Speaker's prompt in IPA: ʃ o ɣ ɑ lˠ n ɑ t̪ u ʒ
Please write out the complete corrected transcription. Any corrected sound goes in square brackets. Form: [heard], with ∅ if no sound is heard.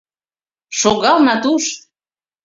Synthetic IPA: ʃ o ɣ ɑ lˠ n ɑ t̪ u [ʃ]